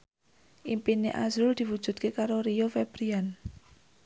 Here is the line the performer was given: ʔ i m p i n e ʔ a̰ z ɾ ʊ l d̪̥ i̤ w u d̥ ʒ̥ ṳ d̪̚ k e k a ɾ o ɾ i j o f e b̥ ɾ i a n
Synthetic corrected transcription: ʔ i m p i n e ʔ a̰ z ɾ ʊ l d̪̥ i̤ w u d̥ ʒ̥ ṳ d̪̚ k e k a ɾ o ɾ i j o f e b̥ ɾ i a n